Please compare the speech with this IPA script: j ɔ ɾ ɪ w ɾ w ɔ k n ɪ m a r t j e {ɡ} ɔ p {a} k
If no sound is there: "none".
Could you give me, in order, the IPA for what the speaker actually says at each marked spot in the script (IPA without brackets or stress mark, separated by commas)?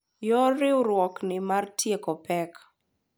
k, ɛ